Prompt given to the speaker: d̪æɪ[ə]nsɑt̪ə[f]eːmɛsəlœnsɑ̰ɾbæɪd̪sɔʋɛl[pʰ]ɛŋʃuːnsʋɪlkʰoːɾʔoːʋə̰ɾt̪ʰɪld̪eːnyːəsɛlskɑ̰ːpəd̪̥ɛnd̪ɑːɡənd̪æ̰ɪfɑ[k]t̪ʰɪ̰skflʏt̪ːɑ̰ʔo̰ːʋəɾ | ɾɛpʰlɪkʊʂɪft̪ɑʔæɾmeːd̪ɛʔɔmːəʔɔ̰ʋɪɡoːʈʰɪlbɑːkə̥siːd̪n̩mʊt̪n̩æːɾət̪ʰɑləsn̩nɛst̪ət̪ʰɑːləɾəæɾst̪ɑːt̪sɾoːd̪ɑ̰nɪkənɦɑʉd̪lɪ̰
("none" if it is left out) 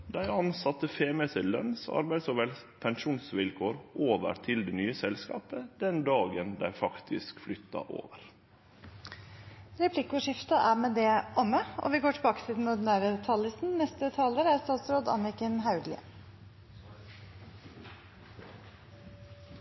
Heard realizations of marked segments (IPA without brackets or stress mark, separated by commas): ɑ, f, pʰ, k